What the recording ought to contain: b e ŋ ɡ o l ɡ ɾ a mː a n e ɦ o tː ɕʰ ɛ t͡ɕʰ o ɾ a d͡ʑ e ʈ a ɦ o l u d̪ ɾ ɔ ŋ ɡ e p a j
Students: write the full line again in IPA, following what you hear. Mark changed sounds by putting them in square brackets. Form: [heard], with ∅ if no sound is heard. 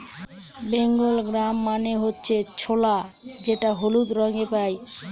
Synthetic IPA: b e ŋ ɡ o l ɡ ɾ a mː a n e ɦ o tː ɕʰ [e] t͡ɕʰ o [l] a d͡ʑ e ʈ a ɦ o l u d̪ ɾ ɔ ŋ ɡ e p a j